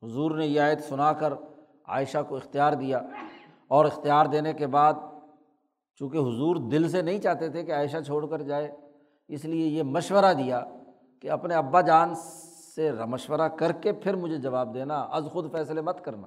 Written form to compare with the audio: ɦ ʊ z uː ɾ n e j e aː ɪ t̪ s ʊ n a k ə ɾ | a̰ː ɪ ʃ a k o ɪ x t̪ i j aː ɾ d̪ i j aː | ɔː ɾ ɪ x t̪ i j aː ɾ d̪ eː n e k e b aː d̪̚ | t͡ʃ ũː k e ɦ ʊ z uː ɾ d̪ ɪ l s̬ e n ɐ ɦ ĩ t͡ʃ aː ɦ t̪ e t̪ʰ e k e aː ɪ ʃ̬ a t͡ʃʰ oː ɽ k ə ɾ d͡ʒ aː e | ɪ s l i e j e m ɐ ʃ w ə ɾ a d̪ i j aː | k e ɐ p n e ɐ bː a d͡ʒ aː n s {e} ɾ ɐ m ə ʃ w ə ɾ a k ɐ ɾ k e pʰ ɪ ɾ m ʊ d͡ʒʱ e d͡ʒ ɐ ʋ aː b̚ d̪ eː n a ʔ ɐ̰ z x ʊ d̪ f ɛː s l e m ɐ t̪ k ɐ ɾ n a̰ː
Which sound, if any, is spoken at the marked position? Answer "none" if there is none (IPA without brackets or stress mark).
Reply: e